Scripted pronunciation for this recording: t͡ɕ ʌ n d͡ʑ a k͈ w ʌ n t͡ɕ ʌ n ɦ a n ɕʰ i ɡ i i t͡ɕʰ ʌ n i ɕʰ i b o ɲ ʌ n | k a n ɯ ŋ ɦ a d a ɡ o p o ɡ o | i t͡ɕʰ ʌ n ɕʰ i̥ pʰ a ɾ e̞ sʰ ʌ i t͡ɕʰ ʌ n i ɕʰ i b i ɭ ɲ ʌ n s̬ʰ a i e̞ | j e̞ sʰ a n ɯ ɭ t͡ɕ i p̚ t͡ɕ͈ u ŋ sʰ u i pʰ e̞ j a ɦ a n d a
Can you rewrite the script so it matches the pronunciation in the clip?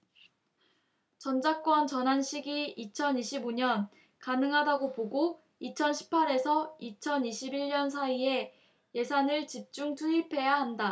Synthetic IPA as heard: t͡ɕ ʌ n d͡ʑ a k͈ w ʌ n t͡ɕ ʌ n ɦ a n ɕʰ i ɡ i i t͡ɕʰ ʌ n i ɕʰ i b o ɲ ʌ n | k a n ɯ ŋ ɦ a d a ɡ o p o ɡ o | i t͡ɕʰ ʌ n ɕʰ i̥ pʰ a ɾ e̞ sʰ ʌ i t͡ɕʰ ʌ n i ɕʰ i b i ɭ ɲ ʌ n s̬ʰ a i e̞ | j e̞ sʰ a n ɯ ɭ t͡ɕ i p̚ t͡ɕ͈ u ŋ tʰ u i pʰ e̞ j a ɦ a n d a